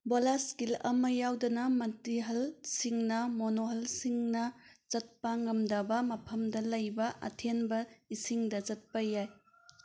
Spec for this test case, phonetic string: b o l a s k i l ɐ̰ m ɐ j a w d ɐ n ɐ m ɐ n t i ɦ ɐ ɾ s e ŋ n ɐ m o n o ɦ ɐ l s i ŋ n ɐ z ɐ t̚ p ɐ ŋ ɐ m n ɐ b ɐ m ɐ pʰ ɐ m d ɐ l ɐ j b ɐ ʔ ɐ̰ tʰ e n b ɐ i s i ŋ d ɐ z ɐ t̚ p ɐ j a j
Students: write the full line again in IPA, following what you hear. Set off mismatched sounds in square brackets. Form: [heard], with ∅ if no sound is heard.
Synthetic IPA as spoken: b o l a s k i l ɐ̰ m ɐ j a w d ɐ n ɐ m ɐ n t i ɦ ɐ [l] s [i] ŋ n ɐ m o n o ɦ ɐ l s i ŋ n ɐ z ɐ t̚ p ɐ ŋ ɐ m [d] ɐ b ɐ m ɐ pʰ ɐ m d ɐ l ɐ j b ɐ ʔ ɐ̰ tʰ e n b ɐ i s i ŋ d ɐ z ɐ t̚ p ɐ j a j

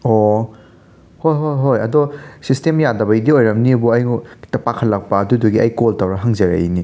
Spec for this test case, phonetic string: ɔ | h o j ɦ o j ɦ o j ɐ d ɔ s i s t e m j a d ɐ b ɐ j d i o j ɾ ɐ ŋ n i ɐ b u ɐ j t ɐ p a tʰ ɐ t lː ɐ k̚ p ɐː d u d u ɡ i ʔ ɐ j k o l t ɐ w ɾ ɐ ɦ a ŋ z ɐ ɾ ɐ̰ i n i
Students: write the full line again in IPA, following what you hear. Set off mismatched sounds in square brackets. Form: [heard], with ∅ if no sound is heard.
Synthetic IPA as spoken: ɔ | h o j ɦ o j ɦ o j ɐ d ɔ s i s t e m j a d ɐ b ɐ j d i o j ɾ ɐ [m] n i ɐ b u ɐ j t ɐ p a [kʰ] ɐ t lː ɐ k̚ p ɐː d u d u ɡ i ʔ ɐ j k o l t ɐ w ɾ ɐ ɦ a ŋ z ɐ ɾ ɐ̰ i n i

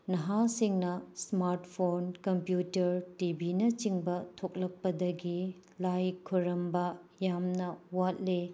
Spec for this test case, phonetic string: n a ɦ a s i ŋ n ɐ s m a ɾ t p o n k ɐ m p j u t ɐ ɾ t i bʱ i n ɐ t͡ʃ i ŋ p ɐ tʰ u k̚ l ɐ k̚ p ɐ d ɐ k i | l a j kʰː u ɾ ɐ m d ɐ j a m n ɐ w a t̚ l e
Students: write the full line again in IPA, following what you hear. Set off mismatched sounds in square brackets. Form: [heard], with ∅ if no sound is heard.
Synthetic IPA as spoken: n [ɐ] ɦ a s i ŋ n ɐ s m a ɾ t [pʰ] o n k ɐ m p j u t ɐ ɾ t i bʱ i n ɐ t͡ʃ i ŋ [b] ɐ tʰ [o] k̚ l ɐ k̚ p ɐ d ɐ [ɡ] i | l a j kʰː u ɾ ɐ m [b] ɐ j a m n ɐ w a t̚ l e

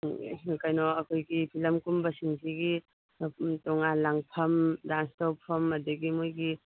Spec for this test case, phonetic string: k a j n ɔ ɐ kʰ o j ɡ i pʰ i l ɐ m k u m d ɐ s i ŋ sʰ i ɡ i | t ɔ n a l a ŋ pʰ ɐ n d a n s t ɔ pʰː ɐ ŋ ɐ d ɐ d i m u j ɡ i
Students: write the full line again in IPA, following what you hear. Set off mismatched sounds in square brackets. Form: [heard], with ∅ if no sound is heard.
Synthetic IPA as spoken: k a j n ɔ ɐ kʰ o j ɡ i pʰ i l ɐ m k u m [b] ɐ s i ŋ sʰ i ɡ i | t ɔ [ŋ] a l a ŋ pʰ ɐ [m] d a n s t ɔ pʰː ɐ [m] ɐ d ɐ [ɡ] i m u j ɡ i

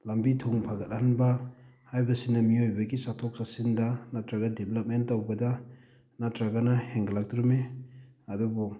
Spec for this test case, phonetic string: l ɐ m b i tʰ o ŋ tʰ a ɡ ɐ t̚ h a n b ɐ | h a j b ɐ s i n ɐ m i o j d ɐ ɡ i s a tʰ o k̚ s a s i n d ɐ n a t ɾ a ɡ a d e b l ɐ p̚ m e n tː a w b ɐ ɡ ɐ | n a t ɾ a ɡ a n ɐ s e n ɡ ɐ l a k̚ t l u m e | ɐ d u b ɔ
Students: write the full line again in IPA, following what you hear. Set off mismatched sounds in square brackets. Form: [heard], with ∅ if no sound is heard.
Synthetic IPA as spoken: l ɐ m b i tʰ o ŋ [pʰ] a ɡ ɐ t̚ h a n b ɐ | h a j b ɐ s i n ɐ m i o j [b] ɐ ɡ i s a tʰ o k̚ s a s i n d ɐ n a t ɾ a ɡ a d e b l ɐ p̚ m e n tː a w b ɐ [d] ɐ | n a t ɾ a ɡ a n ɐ [h] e [ŋ] ɡ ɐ l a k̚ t [ɾ] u m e | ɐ d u b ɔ

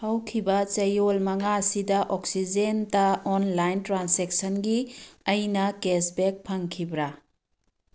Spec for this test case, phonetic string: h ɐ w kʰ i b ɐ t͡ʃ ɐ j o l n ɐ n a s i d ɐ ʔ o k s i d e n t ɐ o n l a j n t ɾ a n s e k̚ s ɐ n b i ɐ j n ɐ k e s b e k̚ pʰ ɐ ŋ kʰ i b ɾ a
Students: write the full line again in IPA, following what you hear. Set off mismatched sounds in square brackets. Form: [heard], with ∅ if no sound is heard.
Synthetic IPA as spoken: h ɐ w kʰ i b ɐ t͡ʃ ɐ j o l [m] ɐ [ŋ] a s i d ɐ ʔ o k s i [d͡ʒ] e n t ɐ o n l a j n t ɾ a n s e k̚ s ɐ n [ɡ] i ɐ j n ɐ k e s b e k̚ pʰ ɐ ŋ kʰ i b ɾ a

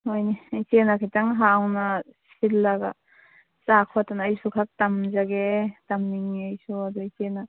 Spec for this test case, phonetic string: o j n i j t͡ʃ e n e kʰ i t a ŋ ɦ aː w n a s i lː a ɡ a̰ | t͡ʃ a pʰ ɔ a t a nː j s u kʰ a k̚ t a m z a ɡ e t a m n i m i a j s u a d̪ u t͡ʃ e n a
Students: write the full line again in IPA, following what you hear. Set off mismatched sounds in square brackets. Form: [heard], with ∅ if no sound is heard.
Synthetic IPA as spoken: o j n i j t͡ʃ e n [a] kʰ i t a ŋ ɦ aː w n a s i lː a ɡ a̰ | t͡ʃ a [kʰ] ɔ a t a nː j s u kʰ a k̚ t a m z a ɡ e t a m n i [ŋ] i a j s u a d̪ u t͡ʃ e n a

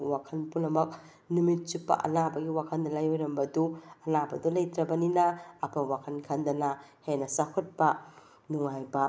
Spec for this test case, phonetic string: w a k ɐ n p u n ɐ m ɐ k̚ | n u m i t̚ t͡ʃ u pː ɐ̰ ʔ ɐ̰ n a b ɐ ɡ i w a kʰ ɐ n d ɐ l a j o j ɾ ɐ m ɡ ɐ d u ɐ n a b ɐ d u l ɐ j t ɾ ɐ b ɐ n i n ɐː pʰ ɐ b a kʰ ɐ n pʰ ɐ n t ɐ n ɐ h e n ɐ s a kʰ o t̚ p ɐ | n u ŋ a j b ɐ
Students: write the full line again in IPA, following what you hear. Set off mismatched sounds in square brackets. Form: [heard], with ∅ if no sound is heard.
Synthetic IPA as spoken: w a [kʰ] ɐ n p u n ɐ m ɐ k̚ | n u m i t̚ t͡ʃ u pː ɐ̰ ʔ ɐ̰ n a b ɐ ɡ i w a kʰ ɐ n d ɐ l a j o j ɾ ɐ m [b] ɐ d u ɐ n a b ɐ d u l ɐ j t ɾ ɐ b ɐ n i n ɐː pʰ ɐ [w] a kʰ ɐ n [kʰ] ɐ n [d] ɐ n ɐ h e n ɐ s a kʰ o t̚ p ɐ | n u ŋ a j b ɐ

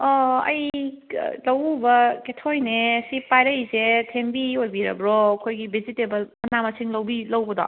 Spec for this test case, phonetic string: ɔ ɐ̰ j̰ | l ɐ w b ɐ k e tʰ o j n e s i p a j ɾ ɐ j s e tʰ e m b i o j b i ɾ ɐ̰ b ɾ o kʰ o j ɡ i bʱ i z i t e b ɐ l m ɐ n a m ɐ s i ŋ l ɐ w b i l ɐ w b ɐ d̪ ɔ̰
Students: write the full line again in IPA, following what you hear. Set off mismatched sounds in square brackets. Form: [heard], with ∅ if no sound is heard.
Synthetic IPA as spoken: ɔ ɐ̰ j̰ | l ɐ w b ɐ k e tʰ o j n e s i p a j ɾ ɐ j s e tʰ e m b i o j b i ɾ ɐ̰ b ɾ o kʰ o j ɡ i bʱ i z i t e b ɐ l m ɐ n a m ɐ s i ŋ l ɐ w b i l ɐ w b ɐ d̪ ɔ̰

